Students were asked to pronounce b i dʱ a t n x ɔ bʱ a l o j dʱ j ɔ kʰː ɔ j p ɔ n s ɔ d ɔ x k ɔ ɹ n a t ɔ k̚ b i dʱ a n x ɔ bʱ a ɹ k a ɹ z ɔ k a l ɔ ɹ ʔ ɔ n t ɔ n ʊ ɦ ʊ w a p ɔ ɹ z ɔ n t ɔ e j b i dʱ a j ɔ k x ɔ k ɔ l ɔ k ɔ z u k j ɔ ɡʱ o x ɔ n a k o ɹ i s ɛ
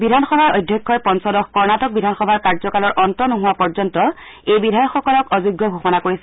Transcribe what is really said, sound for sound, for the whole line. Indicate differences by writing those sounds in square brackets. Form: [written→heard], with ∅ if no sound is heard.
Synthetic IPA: b i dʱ a [t→∅] n x ɔ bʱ a [l→ɹ] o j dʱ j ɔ kʰː ɔ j p ɔ n s ɔ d ɔ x k ɔ ɹ n a t ɔ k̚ b i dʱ a n x ɔ bʱ a ɹ k a ɹ z ɔ k a l ɔ ɹ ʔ ɔ n t ɔ n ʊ ɦ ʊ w a p ɔ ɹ z ɔ n t ɔ e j b i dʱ a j ɔ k x ɔ k ɔ l ɔ k ɔ z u [k→ɡ] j ɔ ɡʱ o x ɔ n a k o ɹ i s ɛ